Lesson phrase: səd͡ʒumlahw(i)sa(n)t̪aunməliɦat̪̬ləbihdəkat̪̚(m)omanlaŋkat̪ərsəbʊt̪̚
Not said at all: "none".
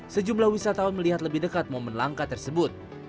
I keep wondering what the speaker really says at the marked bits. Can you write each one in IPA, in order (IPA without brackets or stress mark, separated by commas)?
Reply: i, none, m